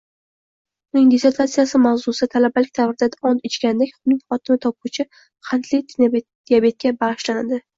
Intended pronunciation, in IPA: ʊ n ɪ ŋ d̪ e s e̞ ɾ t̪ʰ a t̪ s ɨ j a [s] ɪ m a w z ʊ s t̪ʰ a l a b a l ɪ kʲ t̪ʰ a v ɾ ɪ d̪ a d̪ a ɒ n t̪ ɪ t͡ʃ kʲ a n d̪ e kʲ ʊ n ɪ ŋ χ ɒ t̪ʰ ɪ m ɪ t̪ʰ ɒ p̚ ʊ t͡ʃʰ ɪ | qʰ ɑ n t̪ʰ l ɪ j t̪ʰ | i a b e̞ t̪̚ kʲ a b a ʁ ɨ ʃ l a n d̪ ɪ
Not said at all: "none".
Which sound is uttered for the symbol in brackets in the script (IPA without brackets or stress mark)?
s